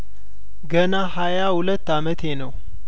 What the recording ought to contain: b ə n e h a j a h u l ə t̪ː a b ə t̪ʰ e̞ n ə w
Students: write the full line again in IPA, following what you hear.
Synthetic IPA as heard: ɡ ə n a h a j a h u l ə t̪ː a m ə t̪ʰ e̞ n ə w